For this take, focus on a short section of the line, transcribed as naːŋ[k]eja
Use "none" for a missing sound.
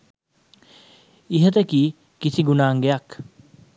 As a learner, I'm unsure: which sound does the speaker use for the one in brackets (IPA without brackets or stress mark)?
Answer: ɡ